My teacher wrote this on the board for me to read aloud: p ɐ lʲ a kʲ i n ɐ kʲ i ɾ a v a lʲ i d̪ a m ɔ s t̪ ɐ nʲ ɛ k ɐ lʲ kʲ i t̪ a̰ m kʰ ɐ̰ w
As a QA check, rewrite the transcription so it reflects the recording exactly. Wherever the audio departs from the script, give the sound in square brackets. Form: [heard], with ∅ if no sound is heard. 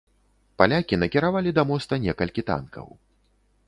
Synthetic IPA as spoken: p [a] lʲ a kʲ i n ɐ kʲ i ɾ a v a lʲ i d̪ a m ɔ s t̪ ɐ nʲ ɛ k ɐ lʲ kʲ i t̪ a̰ [n] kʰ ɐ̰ w